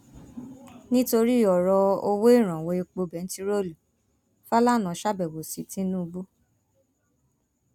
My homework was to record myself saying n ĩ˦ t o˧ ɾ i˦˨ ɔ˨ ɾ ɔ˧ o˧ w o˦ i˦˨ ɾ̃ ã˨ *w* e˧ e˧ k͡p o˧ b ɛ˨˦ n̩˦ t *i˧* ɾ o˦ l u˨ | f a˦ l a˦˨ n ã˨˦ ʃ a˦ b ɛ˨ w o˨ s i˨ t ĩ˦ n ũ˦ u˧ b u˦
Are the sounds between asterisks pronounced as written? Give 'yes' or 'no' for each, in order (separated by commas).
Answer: yes, yes